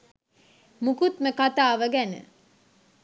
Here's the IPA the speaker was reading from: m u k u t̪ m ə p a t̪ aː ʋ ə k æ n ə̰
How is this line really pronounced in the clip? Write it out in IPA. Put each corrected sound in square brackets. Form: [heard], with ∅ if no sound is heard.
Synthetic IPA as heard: m u k u t̪ m ə [k] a t̪ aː ʋ ə [ɡ] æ n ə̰